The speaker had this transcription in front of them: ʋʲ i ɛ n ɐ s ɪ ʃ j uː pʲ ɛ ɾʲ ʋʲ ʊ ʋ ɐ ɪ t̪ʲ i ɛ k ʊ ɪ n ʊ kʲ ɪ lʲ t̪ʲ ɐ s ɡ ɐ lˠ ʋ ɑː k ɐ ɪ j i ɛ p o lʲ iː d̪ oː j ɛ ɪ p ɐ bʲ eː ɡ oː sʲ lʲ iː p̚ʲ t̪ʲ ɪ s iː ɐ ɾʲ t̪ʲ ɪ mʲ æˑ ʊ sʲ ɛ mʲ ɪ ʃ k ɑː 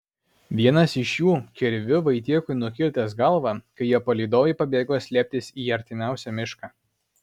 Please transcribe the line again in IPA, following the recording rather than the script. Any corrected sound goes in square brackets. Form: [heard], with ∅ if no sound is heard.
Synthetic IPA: ʋʲ i ɛ n ɐ s ɪ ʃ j uː [kʲ] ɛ ɾʲ ʋʲ ʊ ʋ ɐ ɪ t̪ʲ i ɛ k ʊ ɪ n ʊ kʲ ɪ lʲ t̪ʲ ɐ s ɡ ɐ lˠ ʋ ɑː k ɐ ɪ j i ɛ p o lʲ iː d̪ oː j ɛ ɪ p ɐ bʲ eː ɡ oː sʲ lʲ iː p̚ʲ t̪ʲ ɪ s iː ɐ ɾʲ t̪ʲ ɪ mʲ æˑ ʊ sʲ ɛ mʲ ɪ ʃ k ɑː